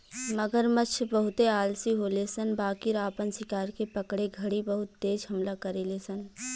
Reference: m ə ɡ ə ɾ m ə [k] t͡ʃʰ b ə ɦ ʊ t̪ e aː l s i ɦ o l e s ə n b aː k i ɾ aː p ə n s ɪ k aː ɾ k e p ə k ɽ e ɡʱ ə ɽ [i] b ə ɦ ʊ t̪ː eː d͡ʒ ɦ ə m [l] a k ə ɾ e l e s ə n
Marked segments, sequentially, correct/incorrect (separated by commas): incorrect, correct, correct